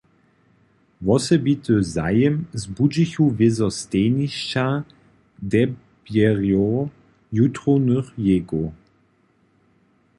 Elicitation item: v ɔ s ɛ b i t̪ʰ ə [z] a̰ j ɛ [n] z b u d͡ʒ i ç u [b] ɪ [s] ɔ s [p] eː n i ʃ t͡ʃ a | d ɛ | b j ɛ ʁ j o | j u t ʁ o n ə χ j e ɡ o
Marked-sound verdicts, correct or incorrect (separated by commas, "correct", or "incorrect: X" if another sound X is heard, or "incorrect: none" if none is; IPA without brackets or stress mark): correct, incorrect: m, incorrect: v, incorrect: z, incorrect: t